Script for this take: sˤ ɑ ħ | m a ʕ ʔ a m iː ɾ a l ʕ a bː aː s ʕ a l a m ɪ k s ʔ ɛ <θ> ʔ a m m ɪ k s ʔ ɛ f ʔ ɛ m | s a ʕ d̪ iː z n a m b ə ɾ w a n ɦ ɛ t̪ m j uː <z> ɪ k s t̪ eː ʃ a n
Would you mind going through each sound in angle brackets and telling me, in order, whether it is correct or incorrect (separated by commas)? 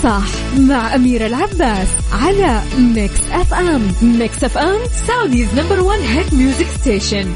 incorrect, correct